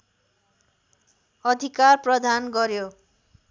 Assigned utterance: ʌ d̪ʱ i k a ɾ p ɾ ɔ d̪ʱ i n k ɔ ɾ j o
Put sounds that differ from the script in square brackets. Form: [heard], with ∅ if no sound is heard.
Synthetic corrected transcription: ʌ d̪ʱ i k a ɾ p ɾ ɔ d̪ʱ [a] n [ɡ] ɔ ɾ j o